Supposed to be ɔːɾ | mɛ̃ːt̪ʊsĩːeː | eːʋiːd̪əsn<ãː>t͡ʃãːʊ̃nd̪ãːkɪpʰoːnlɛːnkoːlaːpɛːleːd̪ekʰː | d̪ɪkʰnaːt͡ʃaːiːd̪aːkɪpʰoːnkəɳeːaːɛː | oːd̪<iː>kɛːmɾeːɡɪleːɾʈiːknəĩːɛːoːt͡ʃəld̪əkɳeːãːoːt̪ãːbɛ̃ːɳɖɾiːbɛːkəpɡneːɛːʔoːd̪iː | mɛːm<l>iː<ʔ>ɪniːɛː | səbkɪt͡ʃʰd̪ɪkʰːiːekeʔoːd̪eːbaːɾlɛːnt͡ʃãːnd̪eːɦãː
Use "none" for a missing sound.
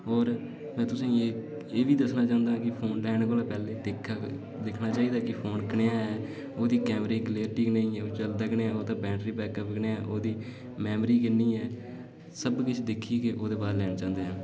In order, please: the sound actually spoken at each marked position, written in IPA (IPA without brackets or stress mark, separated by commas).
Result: aː, iː, ɾ, k